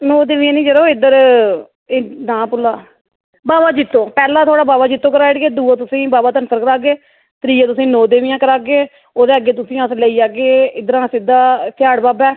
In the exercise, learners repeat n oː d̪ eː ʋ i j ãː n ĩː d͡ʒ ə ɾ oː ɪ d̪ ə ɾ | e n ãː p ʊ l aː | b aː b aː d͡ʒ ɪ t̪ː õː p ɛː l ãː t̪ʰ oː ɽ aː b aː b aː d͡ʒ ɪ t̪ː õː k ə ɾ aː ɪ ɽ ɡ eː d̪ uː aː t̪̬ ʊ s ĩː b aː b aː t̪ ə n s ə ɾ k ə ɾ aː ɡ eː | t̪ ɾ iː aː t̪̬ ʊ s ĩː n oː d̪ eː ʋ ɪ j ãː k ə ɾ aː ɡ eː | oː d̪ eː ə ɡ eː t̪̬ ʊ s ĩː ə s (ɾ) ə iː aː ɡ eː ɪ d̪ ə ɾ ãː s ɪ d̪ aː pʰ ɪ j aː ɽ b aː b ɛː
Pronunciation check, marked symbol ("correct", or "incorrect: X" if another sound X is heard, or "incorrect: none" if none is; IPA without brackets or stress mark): incorrect: l